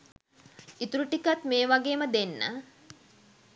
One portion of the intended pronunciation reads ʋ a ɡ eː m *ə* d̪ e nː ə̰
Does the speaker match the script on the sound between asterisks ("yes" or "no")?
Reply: yes